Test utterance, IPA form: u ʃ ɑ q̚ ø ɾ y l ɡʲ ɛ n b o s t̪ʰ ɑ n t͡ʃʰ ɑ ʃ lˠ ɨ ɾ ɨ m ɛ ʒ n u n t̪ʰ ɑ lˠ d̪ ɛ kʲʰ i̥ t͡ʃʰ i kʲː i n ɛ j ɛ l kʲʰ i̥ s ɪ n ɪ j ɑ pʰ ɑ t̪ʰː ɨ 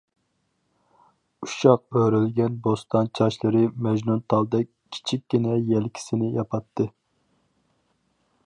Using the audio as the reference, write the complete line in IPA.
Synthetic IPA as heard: u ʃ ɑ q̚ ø ɾ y l ɡʲ ɛ n b o s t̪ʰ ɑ n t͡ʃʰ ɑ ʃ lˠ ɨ ɾ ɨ m ɛ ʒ n u n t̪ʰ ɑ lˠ d̪ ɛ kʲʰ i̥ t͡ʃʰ i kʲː i n ɛ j ɛ l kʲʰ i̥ s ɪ n ɪ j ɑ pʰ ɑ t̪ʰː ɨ